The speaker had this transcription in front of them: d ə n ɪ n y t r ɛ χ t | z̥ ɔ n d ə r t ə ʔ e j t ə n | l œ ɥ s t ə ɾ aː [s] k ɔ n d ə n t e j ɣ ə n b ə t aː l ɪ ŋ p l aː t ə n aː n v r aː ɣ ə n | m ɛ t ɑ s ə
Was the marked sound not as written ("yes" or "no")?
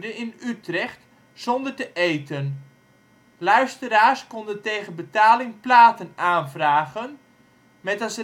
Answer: no